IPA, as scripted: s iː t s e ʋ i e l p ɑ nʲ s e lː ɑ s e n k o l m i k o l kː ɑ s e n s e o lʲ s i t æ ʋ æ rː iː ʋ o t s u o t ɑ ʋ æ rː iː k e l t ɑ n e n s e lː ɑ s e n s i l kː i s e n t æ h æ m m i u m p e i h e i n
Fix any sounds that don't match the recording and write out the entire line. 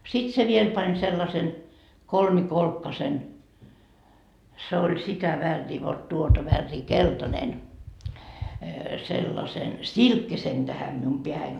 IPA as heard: s i t s e ʋ i e l p ɑ nʲ s e lː ɑ s e n k o l m i k o l kː ɑ s e n s e o lʲ s i t æ ʋ æ rː iː ʋ o t t u o t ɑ ʋ æ rː iː k e l t ɑ n e n s e lː ɑ s e n s i l kː i s e n t æ h æ m m i u m p e æ h æ i n